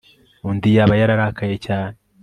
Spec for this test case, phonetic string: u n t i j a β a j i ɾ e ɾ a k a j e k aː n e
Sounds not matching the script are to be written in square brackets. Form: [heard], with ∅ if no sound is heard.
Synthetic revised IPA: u n [d] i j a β a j [a] ɾ [a] ɾ a k a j e [c] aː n e